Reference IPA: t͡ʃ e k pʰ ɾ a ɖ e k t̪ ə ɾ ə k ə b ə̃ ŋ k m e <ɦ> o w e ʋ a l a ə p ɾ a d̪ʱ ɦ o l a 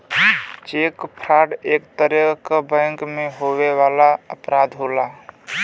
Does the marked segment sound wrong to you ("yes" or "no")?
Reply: no